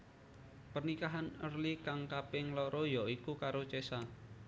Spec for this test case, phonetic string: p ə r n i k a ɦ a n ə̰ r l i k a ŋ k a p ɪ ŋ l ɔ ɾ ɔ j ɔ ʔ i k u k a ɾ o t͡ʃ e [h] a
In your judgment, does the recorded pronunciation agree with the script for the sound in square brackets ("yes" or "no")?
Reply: no